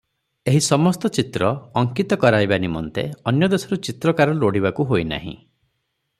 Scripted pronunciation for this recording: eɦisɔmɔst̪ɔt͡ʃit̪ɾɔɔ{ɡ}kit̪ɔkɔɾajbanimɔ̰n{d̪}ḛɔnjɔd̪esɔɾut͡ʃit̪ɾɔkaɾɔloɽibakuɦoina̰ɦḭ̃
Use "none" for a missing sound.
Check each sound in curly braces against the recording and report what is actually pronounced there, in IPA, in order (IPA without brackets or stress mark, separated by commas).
ŋ, t̪